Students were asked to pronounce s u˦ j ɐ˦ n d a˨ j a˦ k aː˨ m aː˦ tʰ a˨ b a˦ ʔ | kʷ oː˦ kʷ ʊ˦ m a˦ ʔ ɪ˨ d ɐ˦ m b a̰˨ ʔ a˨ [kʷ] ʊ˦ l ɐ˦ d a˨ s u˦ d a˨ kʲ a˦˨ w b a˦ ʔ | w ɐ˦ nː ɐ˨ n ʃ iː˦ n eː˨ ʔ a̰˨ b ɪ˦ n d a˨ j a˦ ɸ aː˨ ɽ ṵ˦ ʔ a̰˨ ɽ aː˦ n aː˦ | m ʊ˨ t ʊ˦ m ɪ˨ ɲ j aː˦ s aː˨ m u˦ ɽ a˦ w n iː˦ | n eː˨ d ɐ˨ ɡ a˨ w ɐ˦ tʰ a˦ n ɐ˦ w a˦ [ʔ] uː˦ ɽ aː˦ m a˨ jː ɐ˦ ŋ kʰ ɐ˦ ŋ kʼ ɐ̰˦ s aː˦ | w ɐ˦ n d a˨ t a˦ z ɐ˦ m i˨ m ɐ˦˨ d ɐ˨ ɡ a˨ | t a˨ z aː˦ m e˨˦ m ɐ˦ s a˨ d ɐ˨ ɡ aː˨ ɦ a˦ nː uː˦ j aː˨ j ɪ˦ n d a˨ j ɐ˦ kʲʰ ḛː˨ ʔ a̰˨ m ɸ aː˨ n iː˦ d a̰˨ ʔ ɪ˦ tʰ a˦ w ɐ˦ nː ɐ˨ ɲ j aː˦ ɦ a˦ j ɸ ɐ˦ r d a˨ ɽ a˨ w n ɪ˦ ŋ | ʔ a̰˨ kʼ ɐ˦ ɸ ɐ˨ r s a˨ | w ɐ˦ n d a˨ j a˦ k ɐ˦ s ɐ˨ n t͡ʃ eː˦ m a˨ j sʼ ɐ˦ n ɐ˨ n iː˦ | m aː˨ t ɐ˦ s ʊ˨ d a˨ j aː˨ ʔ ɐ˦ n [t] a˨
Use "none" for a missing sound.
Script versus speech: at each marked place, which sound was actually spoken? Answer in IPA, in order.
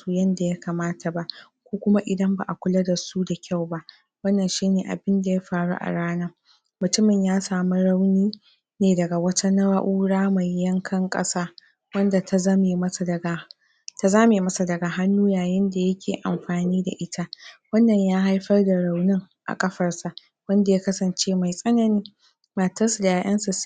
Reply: kʷ, ʔ, s

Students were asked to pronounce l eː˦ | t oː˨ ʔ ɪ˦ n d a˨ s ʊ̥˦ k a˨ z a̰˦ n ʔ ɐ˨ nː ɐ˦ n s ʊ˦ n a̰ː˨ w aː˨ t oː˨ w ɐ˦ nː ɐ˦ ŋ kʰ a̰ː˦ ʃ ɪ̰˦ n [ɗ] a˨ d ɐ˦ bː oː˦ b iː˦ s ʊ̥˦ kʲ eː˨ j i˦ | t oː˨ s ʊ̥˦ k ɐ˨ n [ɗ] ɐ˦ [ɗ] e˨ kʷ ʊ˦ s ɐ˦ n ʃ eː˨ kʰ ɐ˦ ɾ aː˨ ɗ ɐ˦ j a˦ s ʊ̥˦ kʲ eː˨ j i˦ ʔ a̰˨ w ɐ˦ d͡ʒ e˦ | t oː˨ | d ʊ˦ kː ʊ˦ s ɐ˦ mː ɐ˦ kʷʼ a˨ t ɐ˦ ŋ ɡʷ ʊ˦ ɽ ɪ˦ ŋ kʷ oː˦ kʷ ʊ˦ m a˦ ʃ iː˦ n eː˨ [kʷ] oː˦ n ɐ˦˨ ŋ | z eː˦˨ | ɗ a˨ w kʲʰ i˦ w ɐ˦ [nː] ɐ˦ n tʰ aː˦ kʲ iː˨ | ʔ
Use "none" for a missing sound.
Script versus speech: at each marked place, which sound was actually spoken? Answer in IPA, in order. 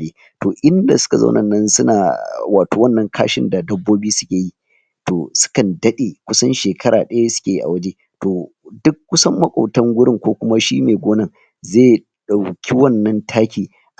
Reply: d, d, ɗ, ɡʷ, nː

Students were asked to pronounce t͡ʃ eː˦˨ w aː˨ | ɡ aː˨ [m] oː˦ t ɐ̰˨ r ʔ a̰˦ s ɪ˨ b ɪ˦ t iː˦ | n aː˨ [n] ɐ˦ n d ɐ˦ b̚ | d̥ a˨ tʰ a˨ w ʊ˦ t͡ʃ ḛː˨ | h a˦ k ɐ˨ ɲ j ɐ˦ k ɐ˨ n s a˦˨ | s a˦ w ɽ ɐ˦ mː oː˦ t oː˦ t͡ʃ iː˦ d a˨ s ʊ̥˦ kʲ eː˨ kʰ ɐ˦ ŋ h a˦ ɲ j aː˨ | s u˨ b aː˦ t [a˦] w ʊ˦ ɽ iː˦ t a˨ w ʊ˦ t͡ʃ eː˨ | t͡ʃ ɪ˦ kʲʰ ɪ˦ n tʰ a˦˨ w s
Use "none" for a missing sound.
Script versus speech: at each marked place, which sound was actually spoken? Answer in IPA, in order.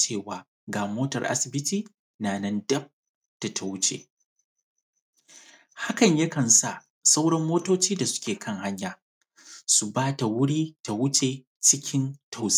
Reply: m, n, a˨

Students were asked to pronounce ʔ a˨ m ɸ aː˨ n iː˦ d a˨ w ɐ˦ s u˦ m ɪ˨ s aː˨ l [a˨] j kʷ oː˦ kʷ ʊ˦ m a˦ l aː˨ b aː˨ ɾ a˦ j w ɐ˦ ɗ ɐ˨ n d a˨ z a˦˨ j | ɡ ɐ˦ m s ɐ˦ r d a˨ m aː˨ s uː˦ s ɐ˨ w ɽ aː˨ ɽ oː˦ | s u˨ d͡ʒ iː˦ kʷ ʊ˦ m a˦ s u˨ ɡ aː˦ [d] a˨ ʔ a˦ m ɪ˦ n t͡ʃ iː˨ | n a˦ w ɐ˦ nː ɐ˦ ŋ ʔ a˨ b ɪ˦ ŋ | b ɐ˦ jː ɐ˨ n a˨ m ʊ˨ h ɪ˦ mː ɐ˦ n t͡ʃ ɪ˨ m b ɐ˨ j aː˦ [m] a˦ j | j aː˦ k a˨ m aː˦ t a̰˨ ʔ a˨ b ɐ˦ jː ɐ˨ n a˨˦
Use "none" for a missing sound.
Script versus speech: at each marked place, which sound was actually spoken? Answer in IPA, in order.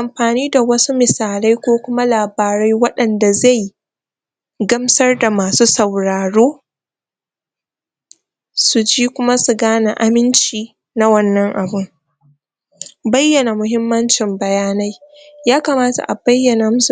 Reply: a˦, n, n

